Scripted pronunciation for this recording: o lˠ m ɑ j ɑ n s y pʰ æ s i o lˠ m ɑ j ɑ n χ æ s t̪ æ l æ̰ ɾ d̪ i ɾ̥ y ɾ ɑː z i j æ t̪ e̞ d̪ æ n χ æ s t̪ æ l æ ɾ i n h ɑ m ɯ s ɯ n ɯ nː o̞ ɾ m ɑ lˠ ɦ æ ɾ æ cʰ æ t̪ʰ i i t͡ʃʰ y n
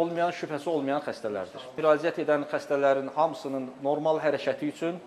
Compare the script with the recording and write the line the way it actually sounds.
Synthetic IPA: o lˠ m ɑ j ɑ n ʃ y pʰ æ s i o lˠ m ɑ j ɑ n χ æ s t̪ æ l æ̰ ɾ d̪ i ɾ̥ y ɾ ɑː z i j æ t̪ e̞ d̪ æ n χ æ s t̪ æ l æ ɾ i n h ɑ m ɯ s ɯ n ɯ nː o̞ ɾ m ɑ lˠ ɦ æ ɾ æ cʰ æ t̪ʰ i y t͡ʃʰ y n